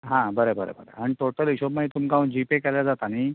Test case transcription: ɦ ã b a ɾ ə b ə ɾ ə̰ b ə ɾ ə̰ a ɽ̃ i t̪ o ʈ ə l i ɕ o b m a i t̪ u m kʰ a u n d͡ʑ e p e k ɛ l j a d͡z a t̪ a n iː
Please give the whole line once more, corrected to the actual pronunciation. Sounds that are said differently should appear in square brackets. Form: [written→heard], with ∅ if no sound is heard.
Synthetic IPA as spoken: ɦ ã b [a→ə] ɾ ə b ə ɾ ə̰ b ə ɾ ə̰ a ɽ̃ i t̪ o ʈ ə l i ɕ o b m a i t̪ u m [kʰ→k] a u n d͡ʑ [e→i] p e k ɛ l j a d͡z a t̪ a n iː